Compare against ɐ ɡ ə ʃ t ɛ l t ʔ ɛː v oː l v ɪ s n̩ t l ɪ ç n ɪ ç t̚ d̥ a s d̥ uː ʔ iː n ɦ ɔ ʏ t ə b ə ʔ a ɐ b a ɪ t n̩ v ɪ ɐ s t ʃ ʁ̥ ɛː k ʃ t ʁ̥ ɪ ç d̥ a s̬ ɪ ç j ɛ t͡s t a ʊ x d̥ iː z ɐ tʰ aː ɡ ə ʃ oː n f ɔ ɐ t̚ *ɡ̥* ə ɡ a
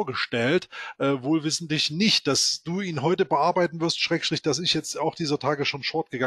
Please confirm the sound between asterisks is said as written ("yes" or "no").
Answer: yes